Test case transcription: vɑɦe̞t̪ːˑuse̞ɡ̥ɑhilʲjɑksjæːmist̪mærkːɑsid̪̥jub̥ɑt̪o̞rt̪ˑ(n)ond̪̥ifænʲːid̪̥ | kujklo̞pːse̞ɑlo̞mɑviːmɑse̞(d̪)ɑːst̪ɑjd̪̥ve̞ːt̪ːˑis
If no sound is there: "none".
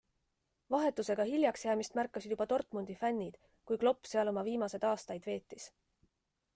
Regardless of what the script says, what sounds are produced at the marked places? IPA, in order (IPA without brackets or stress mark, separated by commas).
m, d̪